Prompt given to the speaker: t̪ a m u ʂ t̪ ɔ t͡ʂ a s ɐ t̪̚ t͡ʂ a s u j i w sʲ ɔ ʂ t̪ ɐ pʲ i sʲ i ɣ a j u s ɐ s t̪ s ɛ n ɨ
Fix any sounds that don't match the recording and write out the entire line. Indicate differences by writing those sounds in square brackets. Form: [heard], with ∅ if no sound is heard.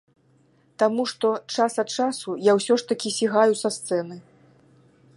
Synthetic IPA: t̪ a m u ʂ t̪ ɔ t͡ʂ a s ɐ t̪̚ t͡ʂ a s u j [a] w sʲ ɔ ʂ t̪ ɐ [kʲ] i sʲ i ɣ a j u s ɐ s t̪ s ɛ n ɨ